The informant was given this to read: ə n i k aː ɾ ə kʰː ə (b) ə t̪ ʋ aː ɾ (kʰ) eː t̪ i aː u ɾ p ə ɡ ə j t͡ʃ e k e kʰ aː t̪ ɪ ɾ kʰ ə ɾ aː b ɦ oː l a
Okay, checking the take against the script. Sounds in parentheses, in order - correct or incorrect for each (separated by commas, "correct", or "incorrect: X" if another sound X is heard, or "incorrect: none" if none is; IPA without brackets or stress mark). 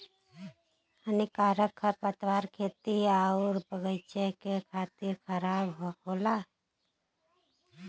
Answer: incorrect: p, correct